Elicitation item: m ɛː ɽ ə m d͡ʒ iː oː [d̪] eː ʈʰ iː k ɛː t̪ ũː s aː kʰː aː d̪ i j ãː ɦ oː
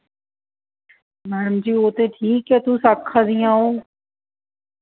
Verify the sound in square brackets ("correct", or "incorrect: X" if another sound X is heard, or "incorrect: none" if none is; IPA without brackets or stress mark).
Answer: incorrect: t̪